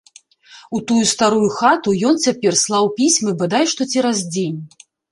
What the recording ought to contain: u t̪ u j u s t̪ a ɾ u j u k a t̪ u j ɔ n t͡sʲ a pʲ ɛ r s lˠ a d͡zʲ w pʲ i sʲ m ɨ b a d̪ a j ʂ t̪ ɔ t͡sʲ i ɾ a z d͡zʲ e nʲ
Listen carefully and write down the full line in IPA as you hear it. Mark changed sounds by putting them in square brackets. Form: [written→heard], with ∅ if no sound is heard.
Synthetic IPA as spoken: u t̪ u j u s t̪ a ɾ u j u [k→x] a t̪ u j ɔ n t͡sʲ a pʲ ɛ r s lˠ a [d͡zʲ→∅] w pʲ i sʲ m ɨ b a d̪ a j ʂ t̪ ɔ t͡sʲ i ɾ a z d͡zʲ e nʲ